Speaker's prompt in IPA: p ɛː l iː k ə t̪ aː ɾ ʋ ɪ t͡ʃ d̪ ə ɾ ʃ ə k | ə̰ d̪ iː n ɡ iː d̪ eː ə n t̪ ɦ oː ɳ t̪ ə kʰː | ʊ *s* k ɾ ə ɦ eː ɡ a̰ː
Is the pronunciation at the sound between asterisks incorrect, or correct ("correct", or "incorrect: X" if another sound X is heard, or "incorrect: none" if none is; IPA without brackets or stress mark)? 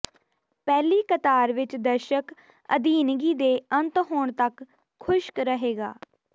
incorrect: ʃ